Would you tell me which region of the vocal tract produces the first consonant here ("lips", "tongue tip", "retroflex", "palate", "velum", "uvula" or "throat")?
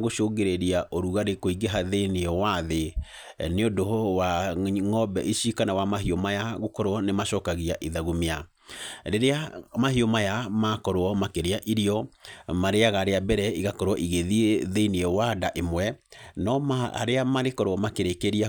velum